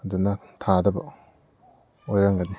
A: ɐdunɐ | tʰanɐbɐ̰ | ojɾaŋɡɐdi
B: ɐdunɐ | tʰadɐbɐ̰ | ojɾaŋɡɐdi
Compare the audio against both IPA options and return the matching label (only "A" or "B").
B